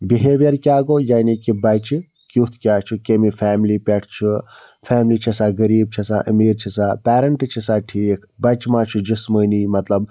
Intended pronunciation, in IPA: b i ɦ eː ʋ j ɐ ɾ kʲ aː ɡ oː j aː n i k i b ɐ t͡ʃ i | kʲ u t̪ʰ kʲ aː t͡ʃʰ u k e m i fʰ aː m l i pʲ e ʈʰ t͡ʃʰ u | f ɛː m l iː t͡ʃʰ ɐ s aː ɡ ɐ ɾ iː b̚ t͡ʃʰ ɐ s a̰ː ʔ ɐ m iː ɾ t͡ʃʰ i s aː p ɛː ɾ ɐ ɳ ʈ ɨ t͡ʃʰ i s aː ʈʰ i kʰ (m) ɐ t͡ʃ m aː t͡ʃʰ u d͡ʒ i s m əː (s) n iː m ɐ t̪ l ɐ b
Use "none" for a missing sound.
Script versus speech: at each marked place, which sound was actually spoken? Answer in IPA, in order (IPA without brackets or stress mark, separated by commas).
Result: b, none